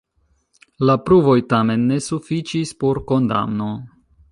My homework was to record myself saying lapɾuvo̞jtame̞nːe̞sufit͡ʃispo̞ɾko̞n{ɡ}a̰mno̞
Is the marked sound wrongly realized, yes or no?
yes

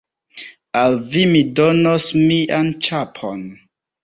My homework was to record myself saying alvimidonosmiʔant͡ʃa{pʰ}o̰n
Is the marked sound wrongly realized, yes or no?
no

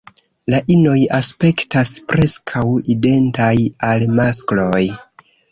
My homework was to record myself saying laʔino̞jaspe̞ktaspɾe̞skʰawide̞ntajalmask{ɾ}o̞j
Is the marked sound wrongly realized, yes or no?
yes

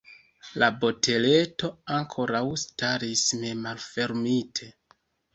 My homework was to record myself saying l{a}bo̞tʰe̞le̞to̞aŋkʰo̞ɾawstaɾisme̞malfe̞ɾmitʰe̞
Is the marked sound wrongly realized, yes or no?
no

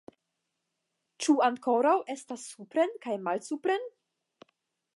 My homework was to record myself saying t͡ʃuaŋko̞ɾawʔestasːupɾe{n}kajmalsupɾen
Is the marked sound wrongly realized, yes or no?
no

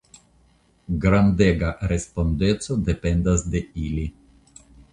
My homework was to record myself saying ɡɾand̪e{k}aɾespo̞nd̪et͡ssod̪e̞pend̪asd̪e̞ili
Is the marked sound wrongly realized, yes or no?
yes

